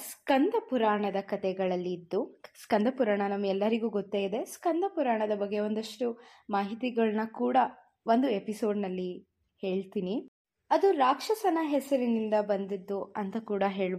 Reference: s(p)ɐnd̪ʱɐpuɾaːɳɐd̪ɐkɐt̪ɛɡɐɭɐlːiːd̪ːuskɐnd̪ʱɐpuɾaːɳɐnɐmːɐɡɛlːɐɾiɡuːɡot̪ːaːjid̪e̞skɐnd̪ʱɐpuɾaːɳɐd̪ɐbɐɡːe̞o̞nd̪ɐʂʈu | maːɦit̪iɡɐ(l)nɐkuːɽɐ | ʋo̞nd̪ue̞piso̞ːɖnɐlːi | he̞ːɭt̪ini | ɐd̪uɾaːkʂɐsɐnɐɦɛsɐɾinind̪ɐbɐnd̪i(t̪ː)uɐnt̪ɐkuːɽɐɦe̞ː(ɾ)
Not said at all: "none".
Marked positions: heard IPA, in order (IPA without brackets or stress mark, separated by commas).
k, ɭ, d̪ː, ɭ